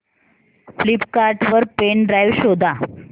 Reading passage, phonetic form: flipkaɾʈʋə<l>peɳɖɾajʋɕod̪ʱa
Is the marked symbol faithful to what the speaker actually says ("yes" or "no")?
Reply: no